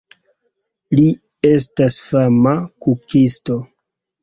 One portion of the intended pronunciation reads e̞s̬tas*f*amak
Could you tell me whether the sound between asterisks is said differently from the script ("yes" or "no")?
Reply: no